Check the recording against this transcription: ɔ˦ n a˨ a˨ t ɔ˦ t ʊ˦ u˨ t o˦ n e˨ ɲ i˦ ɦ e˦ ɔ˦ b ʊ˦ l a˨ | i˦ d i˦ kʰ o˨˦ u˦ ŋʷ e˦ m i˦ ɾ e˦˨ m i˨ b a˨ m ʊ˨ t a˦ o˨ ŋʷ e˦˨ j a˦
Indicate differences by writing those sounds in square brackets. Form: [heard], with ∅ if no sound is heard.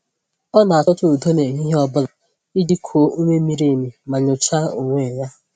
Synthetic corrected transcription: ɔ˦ n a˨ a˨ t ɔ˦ t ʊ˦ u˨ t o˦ n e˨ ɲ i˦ ɦ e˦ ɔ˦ b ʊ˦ l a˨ | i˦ d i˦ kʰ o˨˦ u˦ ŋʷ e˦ m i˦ ɾ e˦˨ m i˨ [m] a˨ [ɲ] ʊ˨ [t͡ʃ] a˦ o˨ ŋʷ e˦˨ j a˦